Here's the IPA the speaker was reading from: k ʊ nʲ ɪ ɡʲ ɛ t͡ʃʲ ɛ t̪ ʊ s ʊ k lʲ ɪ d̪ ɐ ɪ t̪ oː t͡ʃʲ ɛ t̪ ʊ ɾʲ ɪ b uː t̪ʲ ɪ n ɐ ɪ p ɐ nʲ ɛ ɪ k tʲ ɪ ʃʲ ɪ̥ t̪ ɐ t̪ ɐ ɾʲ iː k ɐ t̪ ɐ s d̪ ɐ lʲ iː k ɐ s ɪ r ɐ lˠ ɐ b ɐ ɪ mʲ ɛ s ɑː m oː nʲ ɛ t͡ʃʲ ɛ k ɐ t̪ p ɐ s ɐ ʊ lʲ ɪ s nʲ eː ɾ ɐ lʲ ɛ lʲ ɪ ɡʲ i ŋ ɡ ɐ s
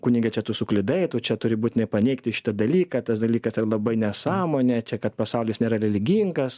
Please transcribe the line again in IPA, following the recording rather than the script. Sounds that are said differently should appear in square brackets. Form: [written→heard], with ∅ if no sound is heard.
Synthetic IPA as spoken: k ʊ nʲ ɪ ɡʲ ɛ t͡ʃʲ ɛ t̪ ʊ s ʊ k lʲ ɪ d̪ ɐ ɪ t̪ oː t͡ʃʲ ɛ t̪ ʊ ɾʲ ɪ b uː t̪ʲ ɪ n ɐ ɪ p ɐ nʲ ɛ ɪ k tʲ ɪ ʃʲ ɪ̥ t̪ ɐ [t̪→d̪] ɐ [ɾʲ→lʲ] iː k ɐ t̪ ɐ s d̪ ɐ lʲ iː k ɐ s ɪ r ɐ lˠ ɐ b ɐ ɪ [mʲ→nʲ] ɛ s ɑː m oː nʲ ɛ t͡ʃʲ ɛ k ɐ t̪ p ɐ s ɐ ʊ lʲ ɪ s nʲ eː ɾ ɐ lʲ ɛ lʲ ɪ ɡʲ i ŋ ɡ ɐ s